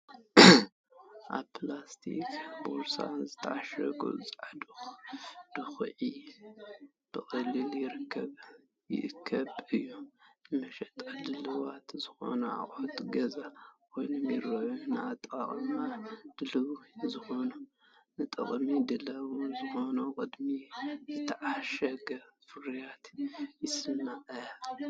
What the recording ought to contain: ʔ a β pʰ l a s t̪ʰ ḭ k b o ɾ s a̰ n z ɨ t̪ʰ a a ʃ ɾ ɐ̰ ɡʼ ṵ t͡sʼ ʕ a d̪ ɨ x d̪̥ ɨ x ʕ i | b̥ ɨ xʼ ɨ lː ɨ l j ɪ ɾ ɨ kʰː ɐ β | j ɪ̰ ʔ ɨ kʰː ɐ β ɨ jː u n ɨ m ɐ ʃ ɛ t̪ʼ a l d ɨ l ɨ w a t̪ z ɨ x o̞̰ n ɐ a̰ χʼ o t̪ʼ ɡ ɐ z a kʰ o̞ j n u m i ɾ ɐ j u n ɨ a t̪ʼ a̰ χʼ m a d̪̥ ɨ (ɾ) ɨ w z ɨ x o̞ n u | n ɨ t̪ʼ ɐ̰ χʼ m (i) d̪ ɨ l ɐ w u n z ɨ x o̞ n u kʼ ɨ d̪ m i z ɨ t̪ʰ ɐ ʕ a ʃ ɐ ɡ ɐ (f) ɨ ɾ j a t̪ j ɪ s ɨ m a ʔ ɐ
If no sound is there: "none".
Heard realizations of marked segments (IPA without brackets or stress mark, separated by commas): l, i, f